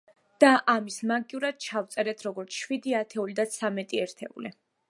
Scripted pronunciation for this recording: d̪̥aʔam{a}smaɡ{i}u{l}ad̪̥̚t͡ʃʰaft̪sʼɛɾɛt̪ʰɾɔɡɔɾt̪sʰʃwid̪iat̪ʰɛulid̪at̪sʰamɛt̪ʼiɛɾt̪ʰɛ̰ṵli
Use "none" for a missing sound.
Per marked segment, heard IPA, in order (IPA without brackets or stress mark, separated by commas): i, i, ɾ